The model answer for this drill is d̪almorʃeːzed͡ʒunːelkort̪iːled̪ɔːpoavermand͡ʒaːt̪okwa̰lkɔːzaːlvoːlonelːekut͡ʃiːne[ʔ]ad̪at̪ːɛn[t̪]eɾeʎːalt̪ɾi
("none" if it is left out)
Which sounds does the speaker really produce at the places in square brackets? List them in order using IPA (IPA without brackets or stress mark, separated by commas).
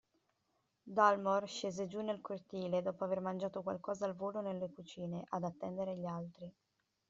ʔ, d̪